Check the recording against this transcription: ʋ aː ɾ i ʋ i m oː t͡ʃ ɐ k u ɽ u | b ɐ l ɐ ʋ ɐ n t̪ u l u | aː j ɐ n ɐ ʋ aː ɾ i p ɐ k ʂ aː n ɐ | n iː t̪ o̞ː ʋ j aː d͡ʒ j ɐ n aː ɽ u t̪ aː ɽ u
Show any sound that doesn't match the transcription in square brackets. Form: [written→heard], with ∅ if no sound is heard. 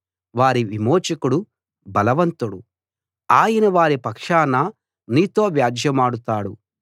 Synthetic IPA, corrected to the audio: ʋ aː ɾ i ʋ i m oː t͡ʃ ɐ k u ɽ u | b ɐ l ɐ ʋ ɐ n t̪ u [l→ɽ] u | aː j ɐ n ɐ ʋ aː ɾ i p ɐ k ʂ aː n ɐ | n iː t̪ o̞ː ʋ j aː d͡ʒ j ɐ [n→m] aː ɽ u t̪ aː ɽ u